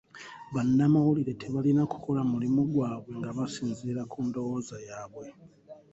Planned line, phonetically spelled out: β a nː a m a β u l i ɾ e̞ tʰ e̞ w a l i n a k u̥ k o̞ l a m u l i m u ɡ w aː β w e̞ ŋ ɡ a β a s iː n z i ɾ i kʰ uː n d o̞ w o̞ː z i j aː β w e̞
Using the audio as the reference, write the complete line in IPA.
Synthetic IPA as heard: β a nː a m a w u l i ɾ e̞ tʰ e̞ β a l i n a k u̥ k o̞ l a m u l i m u ɡ w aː β w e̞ ŋ ɡ a β a s iː n z i ɾ a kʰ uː n d o̞ w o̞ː z a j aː β w e̞